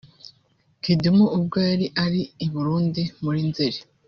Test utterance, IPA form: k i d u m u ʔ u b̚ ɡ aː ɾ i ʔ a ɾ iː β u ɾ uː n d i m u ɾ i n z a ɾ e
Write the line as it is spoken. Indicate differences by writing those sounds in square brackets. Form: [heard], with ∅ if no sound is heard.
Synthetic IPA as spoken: k i d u m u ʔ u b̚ ɡ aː ɾ i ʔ a ɾ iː β u ɾ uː n d i m u ɾ i n z [e] ɾ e